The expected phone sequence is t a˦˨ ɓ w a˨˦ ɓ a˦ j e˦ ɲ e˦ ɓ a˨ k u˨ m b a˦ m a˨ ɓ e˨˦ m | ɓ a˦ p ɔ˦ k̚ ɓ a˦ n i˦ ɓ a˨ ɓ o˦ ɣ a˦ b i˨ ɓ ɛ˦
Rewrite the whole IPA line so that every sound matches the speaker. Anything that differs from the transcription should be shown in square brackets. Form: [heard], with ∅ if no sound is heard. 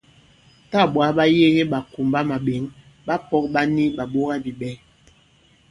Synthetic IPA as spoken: t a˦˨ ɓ w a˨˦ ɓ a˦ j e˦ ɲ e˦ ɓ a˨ k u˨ m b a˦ m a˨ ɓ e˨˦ [ŋ] | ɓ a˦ p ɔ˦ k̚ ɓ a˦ n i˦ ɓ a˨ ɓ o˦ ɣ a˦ b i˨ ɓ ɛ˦